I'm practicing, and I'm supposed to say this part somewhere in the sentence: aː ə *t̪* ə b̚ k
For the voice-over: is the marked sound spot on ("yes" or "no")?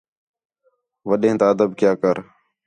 no